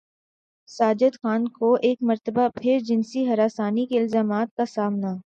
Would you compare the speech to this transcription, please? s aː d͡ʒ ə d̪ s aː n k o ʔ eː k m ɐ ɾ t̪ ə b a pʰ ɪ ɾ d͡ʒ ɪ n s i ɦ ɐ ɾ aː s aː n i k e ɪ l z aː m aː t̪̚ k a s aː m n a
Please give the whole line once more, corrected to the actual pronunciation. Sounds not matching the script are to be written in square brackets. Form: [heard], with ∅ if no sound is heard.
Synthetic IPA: s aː d͡ʒ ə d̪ [x] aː n k o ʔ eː k m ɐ ɾ t̪ ə b a pʰ ɪ ɾ d͡ʒ ɪ n s i ɦ ɐ ɾ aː s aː n i k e ɪ l z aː m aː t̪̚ k a s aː m n a